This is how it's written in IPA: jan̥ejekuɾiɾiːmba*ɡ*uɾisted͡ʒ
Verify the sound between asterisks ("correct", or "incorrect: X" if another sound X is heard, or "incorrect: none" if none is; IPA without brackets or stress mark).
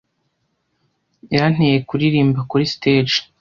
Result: incorrect: k